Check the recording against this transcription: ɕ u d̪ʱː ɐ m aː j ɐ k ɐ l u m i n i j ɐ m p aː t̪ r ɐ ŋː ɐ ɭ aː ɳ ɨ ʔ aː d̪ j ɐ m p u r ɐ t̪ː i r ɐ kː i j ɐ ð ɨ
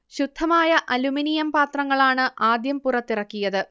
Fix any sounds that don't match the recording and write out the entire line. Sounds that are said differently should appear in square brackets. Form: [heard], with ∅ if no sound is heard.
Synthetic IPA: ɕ u d̪ʱː ɐ m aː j ɐ [ʔ] ɐ l u m i n i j ɐ m p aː t̪ r ɐ ŋː ɐ ɭ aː ɳ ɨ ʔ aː d̪ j ɐ m p u r ɐ t̪ː i r ɐ kː i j ɐ ð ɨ